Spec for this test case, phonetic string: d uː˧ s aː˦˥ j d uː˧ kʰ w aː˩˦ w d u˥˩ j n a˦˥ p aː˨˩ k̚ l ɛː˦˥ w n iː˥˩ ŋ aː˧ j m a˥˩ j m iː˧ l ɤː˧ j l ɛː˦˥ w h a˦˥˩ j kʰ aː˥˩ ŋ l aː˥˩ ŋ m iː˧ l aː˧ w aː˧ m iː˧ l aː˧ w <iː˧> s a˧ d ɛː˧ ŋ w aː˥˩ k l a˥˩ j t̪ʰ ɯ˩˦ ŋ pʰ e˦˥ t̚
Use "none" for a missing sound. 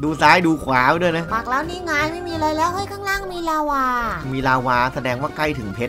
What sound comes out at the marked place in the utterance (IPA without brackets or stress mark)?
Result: aː˧